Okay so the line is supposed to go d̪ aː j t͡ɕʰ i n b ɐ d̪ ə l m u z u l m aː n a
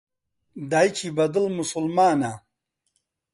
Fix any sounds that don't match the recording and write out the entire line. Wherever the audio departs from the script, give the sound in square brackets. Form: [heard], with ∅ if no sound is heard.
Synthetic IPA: d̪ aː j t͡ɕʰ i [∅] b ɐ d̪ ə l m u [s] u l m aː n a